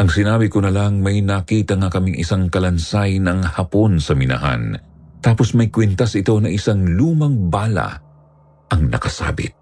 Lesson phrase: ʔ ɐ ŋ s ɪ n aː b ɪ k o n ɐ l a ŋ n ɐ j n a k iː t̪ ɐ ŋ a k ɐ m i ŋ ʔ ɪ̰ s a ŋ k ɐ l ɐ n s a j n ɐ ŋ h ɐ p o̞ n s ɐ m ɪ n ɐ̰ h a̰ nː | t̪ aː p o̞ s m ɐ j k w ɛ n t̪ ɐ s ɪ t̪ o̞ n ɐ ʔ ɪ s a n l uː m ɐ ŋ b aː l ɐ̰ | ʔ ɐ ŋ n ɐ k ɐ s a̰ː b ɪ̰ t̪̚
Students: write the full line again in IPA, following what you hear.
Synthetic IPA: ʔ ɐ ŋ s ɪ n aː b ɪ k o n ɐ l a ŋ m ɐ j n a k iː t̪ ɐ ŋ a k ɐ m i ŋ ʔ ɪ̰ s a ŋ k ɐ l ɐ n s a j n ɐ ŋ h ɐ p o̞ n s ɐ m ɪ n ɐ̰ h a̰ n | t̪ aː p o̞ s m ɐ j k w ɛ n t̪ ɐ s ɪ t̪ o̞ n ɐ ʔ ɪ s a ŋ l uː m ɐ ŋ b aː l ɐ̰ | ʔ ɐ ŋ n ɐ k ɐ s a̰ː b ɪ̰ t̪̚